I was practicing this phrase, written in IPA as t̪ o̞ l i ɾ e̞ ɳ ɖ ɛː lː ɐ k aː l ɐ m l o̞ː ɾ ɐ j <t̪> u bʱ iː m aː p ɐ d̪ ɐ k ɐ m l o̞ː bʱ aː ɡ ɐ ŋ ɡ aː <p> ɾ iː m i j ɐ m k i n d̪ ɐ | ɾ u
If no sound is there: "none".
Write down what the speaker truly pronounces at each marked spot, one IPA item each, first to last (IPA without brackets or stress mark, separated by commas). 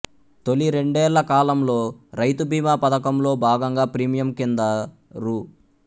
t̪, p